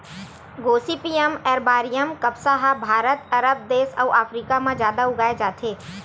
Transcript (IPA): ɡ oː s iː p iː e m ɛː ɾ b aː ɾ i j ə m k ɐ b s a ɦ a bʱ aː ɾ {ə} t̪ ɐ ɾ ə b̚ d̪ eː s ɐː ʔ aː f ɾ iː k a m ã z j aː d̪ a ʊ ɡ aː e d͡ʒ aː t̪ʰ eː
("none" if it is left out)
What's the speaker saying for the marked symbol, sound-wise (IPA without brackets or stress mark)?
ə